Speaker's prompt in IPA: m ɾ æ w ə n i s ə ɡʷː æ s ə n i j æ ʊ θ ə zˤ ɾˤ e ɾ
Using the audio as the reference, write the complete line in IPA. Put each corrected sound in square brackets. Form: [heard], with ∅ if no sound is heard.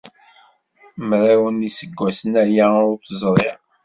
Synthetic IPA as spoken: m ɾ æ w ə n i s ə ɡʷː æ s ə n [æ] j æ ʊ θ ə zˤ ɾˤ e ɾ